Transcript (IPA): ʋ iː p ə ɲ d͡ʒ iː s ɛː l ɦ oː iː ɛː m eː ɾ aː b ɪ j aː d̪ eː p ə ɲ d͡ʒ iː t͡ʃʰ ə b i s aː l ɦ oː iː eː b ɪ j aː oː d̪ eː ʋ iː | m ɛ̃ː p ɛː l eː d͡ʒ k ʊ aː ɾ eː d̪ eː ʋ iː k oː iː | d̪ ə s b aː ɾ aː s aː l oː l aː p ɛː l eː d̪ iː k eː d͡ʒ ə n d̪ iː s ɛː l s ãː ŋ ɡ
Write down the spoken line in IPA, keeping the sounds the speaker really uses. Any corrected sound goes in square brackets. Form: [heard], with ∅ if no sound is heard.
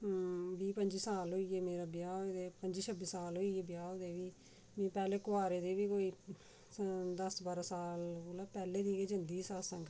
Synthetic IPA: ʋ iː p ə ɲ d͡ʒ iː s [aː] l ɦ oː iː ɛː m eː ɾ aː b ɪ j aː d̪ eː p ə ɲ d͡ʒ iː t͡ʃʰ ə b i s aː l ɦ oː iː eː b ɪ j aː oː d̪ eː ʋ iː | m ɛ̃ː p ɛː l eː [∅] k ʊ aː ɾ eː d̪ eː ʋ iː k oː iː | d̪ ə s b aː ɾ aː s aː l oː l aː p ɛː l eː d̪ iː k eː d͡ʒ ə n d̪ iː s [aː] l s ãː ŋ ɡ